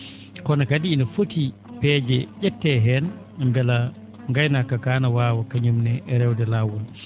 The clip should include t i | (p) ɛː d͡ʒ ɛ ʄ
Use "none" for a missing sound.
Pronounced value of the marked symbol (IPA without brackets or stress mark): p